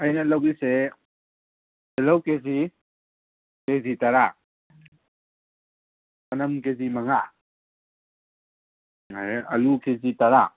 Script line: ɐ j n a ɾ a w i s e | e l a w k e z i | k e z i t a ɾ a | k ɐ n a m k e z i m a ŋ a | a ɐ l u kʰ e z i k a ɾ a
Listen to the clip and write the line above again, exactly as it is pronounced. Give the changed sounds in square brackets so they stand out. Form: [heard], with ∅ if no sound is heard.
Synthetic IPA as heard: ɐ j n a [l] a w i s e | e l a w k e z i | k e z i t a ɾ a | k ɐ n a m k e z i m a ŋ a | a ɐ l u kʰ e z i [t] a ɾ a